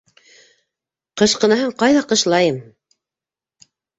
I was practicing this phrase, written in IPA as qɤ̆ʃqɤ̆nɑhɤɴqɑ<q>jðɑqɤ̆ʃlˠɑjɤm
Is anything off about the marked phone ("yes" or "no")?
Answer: yes